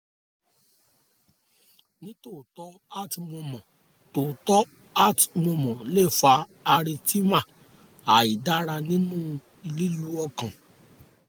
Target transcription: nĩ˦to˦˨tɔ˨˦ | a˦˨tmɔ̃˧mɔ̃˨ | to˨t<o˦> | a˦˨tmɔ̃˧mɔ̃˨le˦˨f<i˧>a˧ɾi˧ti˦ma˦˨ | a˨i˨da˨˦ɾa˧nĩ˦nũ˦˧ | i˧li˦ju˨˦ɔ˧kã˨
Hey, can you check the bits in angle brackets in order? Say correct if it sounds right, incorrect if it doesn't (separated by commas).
incorrect, incorrect